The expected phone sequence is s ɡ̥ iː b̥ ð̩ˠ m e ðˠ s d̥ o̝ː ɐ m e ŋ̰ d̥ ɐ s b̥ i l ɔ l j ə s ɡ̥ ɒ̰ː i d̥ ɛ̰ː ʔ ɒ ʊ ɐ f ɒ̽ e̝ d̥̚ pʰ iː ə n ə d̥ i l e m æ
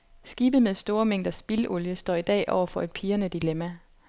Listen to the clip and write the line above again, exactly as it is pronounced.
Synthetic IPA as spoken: s ɡ̥ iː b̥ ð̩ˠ m e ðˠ s d̥ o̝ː ɐ m e ŋ̰ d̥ ɐ s b̥ i l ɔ l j ə s d̥ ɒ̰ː i d̥ ɛ̰ː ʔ ɒ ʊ ɐ f ɒ̽ e̝ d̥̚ pʰ iː ɐ n ə d̥ i l e m æ